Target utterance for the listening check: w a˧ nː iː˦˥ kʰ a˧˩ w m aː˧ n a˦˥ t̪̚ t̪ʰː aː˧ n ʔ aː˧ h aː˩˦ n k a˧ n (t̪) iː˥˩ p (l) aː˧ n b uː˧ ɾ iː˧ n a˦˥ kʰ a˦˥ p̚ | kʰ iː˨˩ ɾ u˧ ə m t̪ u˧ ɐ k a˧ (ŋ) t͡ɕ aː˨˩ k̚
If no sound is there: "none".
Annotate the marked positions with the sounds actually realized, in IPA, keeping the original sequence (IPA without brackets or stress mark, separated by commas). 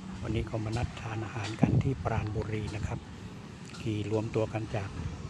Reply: t̪ʰ, ɾ, n